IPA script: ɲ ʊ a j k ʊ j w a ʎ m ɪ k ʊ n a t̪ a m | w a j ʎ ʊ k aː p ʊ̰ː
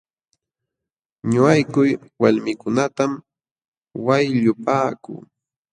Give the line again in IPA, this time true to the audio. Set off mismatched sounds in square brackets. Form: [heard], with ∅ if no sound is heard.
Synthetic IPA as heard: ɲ ʊ a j k ʊ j w a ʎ m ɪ k ʊ n a t̪ a m | w a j ʎ ʊ [p] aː [k] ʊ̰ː